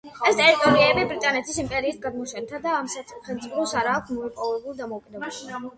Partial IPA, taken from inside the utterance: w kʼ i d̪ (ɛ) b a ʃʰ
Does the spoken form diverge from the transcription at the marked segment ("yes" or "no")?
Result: no